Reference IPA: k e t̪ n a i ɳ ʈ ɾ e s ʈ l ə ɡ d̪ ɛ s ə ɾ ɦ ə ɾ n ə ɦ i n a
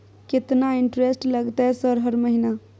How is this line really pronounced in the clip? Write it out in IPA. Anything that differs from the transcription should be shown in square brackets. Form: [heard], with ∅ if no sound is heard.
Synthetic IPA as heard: k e t̪ n a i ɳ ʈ ɾ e s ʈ l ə ɡ [t̪] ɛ s ə ɾ ɦ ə ɾ [m] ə ɦ i n a